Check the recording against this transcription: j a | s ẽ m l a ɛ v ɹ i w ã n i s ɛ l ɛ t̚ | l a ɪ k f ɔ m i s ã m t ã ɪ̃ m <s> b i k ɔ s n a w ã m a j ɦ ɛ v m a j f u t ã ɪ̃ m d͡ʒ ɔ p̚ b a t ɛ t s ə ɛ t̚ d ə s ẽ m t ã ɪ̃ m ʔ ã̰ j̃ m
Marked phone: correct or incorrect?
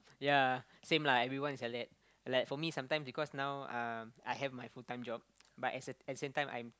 correct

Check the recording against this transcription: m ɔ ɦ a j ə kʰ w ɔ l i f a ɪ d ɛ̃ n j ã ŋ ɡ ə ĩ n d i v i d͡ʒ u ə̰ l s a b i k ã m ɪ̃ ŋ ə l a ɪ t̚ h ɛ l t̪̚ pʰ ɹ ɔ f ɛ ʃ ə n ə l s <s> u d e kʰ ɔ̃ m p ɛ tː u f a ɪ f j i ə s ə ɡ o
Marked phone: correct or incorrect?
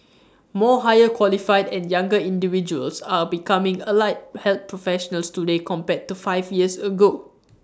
incorrect: t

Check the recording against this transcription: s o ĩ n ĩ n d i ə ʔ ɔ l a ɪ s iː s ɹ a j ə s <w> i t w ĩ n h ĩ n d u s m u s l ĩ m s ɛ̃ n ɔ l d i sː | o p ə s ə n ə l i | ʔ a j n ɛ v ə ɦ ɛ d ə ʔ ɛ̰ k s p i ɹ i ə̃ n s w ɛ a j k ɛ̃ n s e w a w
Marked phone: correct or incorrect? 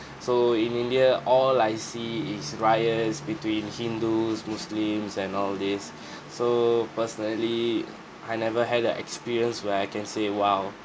incorrect: b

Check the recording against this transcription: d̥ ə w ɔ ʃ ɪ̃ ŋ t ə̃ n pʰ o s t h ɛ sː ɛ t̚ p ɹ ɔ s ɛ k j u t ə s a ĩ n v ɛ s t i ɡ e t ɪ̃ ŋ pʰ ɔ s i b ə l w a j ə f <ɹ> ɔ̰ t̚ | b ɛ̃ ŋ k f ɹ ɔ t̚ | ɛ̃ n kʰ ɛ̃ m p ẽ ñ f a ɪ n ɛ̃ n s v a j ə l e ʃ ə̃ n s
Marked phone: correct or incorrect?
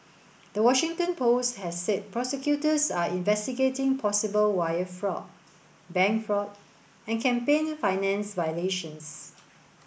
correct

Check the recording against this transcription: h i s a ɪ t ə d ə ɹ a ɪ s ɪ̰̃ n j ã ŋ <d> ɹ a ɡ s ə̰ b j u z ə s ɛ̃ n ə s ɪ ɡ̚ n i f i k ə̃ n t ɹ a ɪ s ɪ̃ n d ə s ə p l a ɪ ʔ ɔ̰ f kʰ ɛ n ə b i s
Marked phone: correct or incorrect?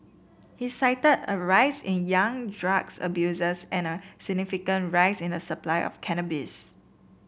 correct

